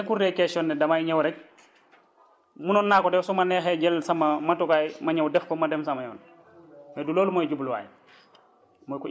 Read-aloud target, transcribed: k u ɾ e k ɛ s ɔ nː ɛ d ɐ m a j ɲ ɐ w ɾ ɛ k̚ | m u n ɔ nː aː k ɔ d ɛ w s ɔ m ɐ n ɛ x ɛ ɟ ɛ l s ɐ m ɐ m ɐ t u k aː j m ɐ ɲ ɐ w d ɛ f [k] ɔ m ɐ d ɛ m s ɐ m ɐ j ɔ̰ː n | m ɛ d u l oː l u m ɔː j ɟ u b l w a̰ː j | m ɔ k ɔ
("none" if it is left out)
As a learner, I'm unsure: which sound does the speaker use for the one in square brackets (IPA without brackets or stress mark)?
k